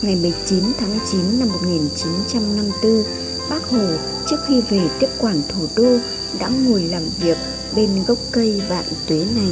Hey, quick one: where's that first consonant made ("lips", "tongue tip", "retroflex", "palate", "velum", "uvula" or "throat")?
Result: velum